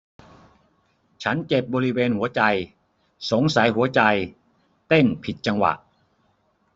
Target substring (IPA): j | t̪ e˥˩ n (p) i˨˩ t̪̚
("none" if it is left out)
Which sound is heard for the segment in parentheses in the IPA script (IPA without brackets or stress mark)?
pʰ